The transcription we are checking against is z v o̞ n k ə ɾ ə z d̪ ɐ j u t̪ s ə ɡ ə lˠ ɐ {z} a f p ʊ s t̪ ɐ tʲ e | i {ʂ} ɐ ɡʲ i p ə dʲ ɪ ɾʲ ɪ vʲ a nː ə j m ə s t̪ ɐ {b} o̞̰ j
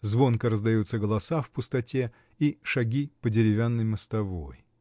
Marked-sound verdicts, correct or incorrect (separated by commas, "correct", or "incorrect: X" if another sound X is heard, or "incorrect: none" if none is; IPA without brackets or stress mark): incorrect: s, correct, incorrect: v